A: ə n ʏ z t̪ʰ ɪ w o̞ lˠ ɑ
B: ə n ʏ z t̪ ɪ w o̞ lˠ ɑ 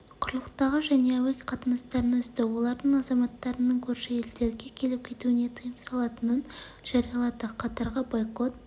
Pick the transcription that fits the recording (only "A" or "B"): B